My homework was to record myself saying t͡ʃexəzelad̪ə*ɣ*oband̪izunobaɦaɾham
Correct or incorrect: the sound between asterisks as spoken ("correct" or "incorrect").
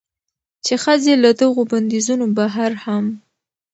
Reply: correct